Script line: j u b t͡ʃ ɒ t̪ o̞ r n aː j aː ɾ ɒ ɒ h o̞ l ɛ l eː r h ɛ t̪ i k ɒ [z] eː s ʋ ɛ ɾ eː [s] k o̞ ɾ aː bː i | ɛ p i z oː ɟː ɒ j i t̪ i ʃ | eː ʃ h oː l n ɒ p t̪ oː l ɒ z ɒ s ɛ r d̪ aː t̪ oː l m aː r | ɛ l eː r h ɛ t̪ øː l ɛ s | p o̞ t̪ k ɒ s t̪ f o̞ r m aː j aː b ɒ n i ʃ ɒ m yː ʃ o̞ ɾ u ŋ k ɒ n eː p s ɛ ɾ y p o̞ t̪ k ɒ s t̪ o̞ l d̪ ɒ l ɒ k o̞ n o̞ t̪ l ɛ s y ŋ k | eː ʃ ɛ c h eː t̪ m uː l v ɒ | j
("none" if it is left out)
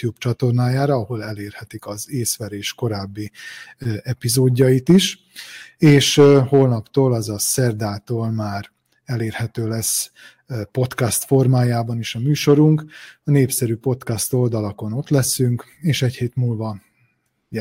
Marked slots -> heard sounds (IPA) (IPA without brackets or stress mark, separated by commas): z, ʃ